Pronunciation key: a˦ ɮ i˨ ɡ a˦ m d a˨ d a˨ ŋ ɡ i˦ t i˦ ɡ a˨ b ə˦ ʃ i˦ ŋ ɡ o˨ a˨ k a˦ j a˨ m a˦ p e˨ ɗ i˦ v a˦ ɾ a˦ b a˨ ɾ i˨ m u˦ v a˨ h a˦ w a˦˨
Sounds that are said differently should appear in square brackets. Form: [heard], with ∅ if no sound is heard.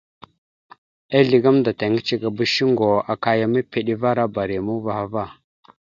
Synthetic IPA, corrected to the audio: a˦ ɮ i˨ ɡ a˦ m d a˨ [t] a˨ ŋ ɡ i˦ [t͡ʃ] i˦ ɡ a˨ b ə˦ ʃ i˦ ŋ ɡ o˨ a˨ k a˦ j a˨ m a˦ p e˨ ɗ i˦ v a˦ ɾ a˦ b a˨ ɾ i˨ m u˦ v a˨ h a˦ [v] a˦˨